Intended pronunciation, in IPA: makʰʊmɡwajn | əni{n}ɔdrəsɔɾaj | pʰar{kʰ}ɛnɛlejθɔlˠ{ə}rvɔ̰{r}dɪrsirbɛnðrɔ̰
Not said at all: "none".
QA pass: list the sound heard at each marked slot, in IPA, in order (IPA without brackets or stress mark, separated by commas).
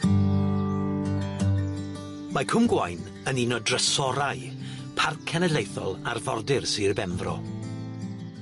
n, kʰ, a, r